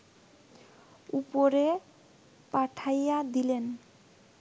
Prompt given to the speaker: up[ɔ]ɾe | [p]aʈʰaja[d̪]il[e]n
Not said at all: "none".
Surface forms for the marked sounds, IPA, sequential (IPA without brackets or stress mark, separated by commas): o, p, d̪, e